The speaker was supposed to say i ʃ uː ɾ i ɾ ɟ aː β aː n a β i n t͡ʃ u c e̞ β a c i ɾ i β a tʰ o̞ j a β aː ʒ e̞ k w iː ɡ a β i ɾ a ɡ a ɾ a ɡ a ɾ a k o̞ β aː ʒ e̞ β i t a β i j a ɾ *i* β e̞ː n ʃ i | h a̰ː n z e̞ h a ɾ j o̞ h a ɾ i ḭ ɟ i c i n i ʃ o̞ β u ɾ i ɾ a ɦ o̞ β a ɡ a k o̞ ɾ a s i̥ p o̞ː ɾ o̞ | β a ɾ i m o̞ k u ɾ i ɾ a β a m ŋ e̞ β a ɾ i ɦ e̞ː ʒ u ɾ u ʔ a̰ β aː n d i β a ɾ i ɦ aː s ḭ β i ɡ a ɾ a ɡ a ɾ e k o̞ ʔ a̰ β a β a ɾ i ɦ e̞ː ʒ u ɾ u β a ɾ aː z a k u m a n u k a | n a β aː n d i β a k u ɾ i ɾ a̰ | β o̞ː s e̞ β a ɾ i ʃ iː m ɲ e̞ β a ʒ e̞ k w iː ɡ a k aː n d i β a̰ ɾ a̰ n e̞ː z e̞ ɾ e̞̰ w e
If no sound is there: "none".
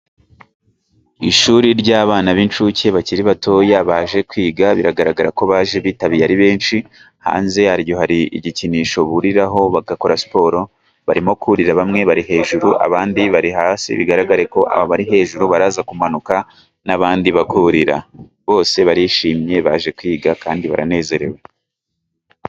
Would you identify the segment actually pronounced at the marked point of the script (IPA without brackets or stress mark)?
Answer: i